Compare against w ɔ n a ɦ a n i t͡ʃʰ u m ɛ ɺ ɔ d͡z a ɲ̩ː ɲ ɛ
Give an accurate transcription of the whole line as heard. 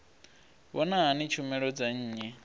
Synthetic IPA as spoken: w ɔ n a ɦ a n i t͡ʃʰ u m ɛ ɺ ɔ d͡z a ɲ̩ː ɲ ɛ

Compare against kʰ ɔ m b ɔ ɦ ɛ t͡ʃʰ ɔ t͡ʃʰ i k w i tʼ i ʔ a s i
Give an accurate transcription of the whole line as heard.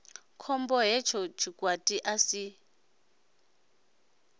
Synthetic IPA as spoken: kʰ ɔ m b ɔ ɦ ɛ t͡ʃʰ ɔ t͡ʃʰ i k w a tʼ i ʔ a s i

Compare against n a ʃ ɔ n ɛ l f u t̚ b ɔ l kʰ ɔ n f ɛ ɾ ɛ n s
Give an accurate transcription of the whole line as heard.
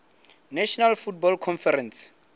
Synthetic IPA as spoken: n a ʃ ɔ n a l f u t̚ b ɔ l kʰ ɔ n f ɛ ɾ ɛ n s

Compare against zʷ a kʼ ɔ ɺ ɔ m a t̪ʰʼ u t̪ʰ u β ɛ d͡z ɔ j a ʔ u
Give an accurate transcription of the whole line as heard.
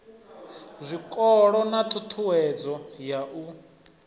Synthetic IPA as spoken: zʷ i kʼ ɔ ɺ ɔ n a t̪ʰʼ u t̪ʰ u w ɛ d͡z ɔ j a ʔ u

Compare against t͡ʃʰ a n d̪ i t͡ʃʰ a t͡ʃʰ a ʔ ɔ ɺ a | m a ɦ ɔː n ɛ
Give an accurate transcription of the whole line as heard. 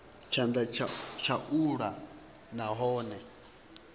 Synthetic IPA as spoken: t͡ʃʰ a n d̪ a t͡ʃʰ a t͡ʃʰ a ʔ u ɺ a | n a ɦ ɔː n ɛ

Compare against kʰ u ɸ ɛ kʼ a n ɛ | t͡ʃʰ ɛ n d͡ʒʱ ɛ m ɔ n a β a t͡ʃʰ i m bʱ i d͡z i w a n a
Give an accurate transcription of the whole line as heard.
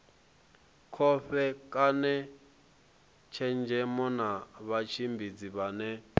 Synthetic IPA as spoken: kʰ ɔ ɸ ɛ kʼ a n ɛ | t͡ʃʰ ɛ n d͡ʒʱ ɛ m ɔ n a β a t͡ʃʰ i m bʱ i d͡z i β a n ɛ

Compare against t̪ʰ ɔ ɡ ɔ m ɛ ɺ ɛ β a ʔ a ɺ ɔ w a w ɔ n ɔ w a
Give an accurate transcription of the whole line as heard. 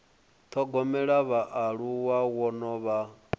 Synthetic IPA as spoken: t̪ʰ ɔ ɡ ɔ m ɛ ɺ a β a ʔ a ɺ u w a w ɔ n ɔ β a

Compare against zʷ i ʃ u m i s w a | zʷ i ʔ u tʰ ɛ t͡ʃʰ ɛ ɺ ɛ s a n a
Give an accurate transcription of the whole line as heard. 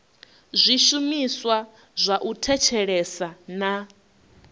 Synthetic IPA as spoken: zʷ i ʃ u m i s w a | zʷ a ʔ u tʰ ɛ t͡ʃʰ ɛ ɺ ɛ s a n a

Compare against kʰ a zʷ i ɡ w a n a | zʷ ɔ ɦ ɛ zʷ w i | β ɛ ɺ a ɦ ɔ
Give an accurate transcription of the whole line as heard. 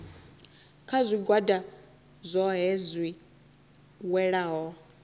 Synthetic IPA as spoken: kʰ a zʷ i ɡ w a d a | zʷ ɔ ɦ ɛ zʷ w i | w ɛ ɺ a ɦ ɔ

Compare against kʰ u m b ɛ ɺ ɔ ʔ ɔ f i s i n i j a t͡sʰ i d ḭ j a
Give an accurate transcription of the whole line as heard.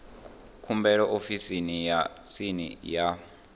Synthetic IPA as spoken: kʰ u m b ɛ ɺ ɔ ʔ o f i s i n i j a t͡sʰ i n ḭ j a

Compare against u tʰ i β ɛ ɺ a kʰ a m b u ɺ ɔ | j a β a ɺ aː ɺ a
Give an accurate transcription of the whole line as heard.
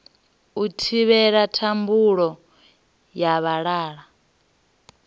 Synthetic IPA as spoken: u tʰ i β ɛ ɺ a tʰ a m b u ɺ ɔ | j a β a ɺ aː ɺ a

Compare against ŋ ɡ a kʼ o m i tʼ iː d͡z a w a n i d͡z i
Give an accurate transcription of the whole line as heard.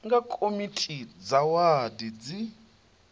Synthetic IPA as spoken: ŋ ɡ a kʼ o m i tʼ i d͡z a w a d i d͡z i

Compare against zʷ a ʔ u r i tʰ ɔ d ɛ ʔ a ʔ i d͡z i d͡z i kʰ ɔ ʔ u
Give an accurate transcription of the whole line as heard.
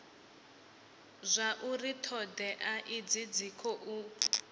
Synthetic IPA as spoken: zʷ a ʔ u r i tʰ ɔ d ɛ ʔ a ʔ i d͡z i d͡z i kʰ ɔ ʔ u

